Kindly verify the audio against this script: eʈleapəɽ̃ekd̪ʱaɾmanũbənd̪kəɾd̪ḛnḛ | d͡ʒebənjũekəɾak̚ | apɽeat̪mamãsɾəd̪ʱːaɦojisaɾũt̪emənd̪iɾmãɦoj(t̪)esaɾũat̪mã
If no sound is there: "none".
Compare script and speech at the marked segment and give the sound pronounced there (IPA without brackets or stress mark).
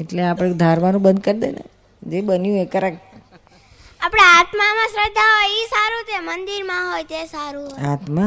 t̪